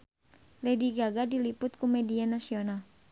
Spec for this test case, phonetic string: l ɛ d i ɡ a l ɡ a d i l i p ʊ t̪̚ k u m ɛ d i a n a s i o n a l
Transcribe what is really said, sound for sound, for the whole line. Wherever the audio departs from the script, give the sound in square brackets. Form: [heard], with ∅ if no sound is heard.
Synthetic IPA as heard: l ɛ d i ɡ a [∅] ɡ a d i l i p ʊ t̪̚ k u m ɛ d i a n a s i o n a l